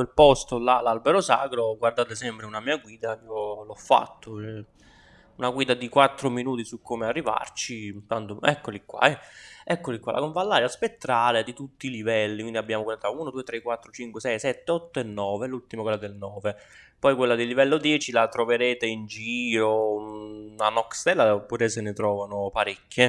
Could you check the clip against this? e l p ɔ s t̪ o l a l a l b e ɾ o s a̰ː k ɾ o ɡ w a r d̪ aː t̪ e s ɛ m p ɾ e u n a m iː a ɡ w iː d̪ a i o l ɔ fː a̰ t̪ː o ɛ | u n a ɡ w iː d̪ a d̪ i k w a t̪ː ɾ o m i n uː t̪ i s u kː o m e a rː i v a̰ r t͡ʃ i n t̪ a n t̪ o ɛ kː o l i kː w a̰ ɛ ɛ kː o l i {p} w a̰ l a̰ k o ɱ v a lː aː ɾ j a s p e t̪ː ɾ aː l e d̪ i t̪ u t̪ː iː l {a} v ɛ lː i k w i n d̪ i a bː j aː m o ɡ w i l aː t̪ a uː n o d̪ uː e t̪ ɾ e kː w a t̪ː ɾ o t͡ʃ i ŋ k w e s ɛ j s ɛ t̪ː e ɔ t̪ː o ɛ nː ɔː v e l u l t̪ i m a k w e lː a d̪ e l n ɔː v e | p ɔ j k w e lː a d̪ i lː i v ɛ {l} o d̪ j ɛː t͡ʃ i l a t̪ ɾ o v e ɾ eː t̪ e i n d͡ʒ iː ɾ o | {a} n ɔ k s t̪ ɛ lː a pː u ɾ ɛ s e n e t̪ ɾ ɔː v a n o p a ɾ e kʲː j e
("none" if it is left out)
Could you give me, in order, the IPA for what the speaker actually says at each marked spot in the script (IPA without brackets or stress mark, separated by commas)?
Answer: k, i, lː, a